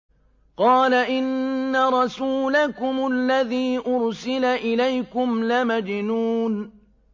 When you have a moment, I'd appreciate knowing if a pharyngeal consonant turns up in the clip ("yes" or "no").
no